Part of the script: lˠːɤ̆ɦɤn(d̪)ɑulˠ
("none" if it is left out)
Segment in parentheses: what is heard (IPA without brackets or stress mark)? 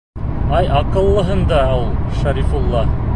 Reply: d̪